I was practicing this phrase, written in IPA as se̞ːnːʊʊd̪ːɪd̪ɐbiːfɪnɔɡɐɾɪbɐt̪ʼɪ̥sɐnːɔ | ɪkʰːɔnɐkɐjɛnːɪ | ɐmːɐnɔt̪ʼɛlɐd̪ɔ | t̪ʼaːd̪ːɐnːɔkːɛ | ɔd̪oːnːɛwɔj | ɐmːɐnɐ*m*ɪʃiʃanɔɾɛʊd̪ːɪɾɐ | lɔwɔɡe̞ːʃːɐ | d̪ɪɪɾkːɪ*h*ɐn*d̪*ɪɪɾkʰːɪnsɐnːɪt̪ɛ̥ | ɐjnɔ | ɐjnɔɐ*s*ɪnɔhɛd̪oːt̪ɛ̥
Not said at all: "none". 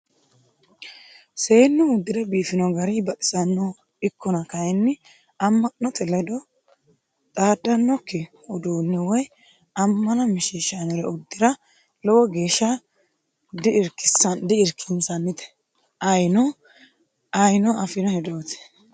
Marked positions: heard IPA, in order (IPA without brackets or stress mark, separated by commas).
m, s, d̪, f